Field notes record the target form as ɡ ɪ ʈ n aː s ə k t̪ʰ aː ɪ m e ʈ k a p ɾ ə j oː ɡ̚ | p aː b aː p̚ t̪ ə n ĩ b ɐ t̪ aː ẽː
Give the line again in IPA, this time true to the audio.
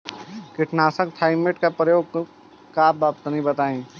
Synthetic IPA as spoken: k ɪ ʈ n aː s ə k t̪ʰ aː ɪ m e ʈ k a p ɾ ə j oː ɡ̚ | k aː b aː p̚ t̪ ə n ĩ b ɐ t̪ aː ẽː